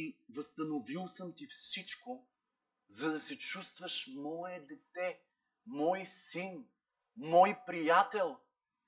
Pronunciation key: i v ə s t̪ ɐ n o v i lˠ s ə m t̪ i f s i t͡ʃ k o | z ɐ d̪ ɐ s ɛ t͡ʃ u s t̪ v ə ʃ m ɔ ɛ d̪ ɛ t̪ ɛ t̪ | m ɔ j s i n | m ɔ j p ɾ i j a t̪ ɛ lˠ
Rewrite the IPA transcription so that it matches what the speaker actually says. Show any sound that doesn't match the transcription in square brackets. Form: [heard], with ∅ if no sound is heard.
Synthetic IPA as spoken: i v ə s t̪ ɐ n o v i lˠ s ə m t̪ i f s i t͡ʃ k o | z ɐ d̪ ɐ s ɛ t͡ʃ u s t̪ v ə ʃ m ɔ ɛ d̪ ɛ t̪ ɛ [∅] | m ɔ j s i n | m ɔ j p ɾ i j a t̪ ɛ lˠ